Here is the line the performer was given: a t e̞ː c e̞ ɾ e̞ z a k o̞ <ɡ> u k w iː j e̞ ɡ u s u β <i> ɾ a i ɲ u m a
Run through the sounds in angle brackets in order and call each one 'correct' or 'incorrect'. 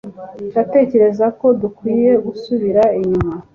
incorrect, correct

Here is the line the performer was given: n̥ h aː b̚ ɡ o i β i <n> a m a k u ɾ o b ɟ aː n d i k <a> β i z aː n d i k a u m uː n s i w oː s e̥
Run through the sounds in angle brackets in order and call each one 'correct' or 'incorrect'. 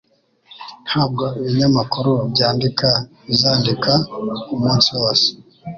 incorrect, correct

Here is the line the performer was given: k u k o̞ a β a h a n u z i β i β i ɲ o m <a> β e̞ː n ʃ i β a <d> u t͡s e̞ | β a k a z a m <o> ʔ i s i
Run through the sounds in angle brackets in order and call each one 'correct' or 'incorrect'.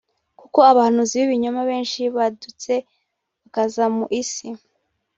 correct, correct, incorrect

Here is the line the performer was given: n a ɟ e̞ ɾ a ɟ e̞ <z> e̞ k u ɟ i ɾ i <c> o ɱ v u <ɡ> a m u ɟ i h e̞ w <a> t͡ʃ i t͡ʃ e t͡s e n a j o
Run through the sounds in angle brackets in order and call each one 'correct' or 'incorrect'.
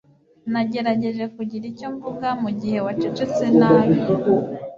incorrect, correct, correct, correct

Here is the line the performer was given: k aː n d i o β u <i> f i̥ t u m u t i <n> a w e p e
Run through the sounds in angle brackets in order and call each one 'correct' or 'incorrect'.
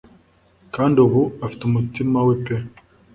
incorrect, incorrect

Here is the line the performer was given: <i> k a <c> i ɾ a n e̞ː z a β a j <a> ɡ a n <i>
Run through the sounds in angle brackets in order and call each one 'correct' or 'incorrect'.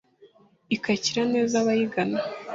correct, correct, incorrect, incorrect

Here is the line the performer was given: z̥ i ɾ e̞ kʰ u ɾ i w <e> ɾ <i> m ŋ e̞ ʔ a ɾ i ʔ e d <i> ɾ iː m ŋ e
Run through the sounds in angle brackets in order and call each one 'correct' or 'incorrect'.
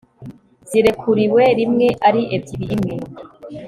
correct, correct, correct

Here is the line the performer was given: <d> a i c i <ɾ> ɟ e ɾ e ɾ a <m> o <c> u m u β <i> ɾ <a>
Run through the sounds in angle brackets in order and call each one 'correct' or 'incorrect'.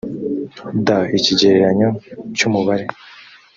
correct, incorrect, incorrect, correct, incorrect, incorrect

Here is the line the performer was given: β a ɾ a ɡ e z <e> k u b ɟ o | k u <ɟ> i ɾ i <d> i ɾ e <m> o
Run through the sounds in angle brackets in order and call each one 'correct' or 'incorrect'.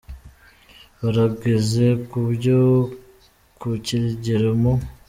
correct, incorrect, incorrect, correct

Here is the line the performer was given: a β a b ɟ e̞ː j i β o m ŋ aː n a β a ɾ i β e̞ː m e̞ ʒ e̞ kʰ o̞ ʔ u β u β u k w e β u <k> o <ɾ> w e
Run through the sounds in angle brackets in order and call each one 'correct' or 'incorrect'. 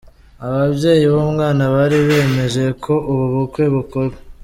correct, correct

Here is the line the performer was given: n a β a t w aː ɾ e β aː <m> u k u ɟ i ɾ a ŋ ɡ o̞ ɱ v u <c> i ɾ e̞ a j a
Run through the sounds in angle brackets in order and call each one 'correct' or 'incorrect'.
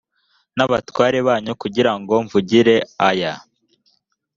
incorrect, incorrect

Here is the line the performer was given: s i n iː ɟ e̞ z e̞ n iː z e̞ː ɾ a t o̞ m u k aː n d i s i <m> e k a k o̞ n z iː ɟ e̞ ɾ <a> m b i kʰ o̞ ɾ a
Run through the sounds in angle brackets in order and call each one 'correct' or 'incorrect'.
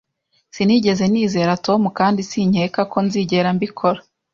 incorrect, correct

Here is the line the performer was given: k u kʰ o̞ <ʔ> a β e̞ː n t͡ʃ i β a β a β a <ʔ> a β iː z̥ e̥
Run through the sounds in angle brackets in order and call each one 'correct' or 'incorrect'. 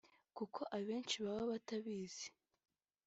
correct, incorrect

